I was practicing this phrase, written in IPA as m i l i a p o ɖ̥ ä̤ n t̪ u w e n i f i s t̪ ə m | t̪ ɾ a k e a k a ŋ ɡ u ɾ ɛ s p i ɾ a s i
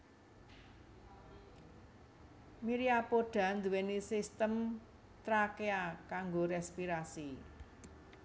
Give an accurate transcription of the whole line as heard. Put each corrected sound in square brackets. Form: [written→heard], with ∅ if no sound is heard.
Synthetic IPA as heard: m i [l→ɾ] i a p o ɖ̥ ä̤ n [t̪→d̪] u w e n i [f→s] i s t̪ ə m | t̪ ɾ a k e a k a ŋ ɡ [u→o] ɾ ɛ s p i ɾ a s i